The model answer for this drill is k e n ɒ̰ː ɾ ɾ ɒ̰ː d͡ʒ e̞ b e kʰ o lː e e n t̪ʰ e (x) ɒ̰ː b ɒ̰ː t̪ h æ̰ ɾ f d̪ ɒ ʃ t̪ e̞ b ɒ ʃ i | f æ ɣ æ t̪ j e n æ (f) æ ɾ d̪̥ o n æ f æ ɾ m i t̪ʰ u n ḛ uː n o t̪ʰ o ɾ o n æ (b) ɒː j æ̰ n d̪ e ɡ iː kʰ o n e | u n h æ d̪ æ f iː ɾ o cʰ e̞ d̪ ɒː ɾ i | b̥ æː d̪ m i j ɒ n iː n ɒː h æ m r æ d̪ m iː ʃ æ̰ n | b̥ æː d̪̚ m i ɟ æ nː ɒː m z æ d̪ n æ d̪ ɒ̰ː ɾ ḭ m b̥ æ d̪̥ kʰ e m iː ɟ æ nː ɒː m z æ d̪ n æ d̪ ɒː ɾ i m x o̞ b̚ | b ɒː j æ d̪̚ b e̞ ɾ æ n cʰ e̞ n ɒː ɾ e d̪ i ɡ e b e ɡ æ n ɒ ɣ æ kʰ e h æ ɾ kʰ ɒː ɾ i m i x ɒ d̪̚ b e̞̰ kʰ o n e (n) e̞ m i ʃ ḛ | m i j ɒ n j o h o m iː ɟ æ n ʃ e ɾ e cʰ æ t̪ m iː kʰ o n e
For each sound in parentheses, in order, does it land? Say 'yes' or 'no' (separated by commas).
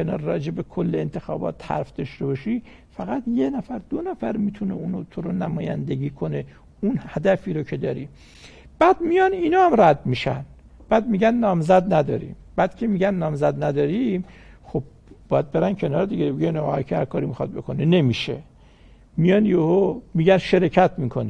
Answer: yes, yes, no, yes